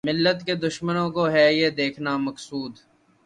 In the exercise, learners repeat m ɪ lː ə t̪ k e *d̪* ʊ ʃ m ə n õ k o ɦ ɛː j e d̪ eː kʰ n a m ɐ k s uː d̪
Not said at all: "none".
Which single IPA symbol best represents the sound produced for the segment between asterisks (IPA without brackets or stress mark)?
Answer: d̪